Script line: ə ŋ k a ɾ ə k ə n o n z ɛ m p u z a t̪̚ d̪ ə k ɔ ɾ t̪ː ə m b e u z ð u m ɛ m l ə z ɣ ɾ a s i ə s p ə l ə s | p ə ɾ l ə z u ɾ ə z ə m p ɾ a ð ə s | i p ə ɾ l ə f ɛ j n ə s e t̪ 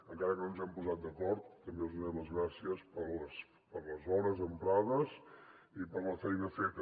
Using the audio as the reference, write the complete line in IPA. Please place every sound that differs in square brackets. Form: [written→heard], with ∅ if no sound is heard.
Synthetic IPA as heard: ə ŋ k a ɾ ə k ə n o n z ɛ m p u z a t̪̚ d̪ ə k ɔ ɾ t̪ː ə m b e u z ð u [m→n] ɛ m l ə z ɣ ɾ a s i ə s p ə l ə s | p ə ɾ l ə z [u→ɔ] ɾ ə z ə m p ɾ a ð ə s | i p ə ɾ l ə f ɛ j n ə [s→f] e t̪